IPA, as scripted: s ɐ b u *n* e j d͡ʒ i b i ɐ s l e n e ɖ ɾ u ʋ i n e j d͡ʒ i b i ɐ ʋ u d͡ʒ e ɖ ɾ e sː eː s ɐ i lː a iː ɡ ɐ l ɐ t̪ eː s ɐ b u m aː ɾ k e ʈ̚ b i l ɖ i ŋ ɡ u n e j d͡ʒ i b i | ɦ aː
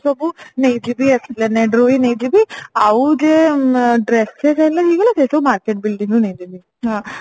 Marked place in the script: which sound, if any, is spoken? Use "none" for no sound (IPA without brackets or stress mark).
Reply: n